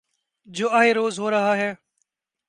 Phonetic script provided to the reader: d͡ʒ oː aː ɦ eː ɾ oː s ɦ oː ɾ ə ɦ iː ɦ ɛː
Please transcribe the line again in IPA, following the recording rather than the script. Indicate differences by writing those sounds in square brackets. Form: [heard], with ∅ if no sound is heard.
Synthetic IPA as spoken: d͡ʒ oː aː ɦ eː ɾ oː [z] ɦ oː ɾ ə ɦ [aː] ɦ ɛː